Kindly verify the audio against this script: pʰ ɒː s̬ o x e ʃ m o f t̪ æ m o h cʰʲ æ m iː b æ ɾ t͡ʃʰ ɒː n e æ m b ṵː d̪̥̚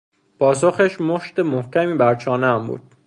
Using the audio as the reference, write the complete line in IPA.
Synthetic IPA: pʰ ɒː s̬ o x e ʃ m o ʃ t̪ e m o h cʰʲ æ m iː b æ ɾ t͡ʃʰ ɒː n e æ m b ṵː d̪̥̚